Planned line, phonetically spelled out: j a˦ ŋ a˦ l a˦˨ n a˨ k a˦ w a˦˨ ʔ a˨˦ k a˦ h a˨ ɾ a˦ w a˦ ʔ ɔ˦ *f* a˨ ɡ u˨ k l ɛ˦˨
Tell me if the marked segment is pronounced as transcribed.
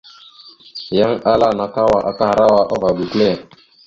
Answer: no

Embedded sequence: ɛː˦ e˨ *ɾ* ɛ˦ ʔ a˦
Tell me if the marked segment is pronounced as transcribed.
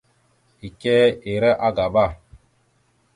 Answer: yes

